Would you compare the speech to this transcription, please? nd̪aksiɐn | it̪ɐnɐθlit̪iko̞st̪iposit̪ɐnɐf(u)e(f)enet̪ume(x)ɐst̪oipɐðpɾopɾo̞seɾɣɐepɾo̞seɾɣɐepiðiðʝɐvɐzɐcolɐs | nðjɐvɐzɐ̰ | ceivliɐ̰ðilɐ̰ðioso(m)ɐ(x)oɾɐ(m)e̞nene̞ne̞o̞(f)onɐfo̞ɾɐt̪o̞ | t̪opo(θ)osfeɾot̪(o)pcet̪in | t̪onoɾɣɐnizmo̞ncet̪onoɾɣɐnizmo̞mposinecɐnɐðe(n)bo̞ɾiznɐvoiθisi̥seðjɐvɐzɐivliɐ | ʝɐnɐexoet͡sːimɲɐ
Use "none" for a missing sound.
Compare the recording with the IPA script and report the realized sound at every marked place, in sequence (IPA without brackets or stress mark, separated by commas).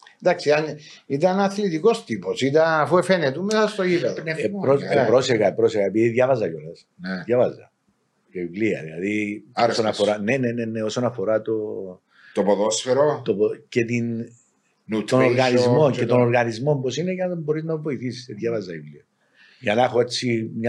u, f, s, n, f, n, s, ð, o, m